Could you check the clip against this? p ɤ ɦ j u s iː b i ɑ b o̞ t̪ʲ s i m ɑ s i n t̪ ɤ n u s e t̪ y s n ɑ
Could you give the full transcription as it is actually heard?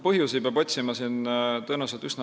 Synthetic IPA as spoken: p ɤ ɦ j u s i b e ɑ b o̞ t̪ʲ s i m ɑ s i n t̪ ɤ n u s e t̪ y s n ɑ